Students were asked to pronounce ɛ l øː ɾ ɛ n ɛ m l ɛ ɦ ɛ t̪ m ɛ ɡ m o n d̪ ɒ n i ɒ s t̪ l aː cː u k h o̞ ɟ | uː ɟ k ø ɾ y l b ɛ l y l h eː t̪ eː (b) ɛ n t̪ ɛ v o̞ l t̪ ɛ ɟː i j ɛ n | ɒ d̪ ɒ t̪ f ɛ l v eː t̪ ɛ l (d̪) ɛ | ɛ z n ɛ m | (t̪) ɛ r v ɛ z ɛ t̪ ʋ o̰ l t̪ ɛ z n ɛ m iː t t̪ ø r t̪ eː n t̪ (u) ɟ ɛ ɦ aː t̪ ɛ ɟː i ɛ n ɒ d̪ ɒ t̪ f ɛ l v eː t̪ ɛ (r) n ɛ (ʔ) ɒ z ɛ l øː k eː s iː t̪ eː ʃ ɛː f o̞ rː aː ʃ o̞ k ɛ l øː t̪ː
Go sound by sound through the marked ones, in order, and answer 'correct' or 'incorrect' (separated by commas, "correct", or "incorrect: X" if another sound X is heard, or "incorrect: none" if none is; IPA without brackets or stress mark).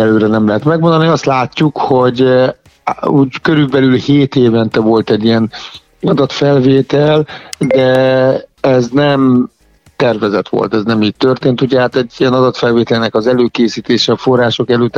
incorrect: v, correct, correct, correct, incorrect: l, incorrect: k